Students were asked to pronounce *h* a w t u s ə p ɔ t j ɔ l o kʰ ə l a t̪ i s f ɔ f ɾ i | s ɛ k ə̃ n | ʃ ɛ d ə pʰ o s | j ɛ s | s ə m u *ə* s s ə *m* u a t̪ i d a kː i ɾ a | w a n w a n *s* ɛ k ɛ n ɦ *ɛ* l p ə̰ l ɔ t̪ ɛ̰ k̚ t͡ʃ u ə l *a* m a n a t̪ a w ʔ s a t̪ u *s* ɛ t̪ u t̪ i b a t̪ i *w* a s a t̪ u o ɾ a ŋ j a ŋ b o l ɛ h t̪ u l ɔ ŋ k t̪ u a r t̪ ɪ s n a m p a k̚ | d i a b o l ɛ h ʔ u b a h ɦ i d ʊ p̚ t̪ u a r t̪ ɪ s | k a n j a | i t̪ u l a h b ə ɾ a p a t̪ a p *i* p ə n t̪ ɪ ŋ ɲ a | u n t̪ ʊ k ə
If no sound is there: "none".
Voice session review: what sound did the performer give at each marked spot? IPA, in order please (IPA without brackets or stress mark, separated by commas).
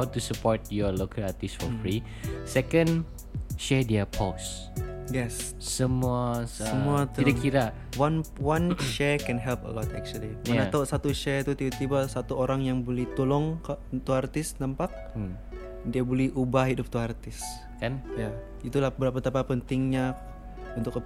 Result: h, a, m, ʃ, ɛ, i, ʃ, b, a